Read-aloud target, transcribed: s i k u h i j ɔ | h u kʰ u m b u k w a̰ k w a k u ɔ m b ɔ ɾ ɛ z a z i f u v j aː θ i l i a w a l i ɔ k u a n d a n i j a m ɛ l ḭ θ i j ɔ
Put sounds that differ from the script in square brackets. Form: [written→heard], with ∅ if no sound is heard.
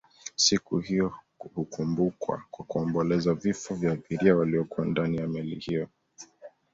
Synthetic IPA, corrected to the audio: s i k u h i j ɔ | h u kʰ u m b u k w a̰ k w a k u ɔ m b ɔ [ɾ→l] ɛ z a [z→v] i f [u→ɔ] v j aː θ i [l→ɾ] i a w a l i ɔ k u a n d a n i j a m ɛ l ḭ [θ→h] i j ɔ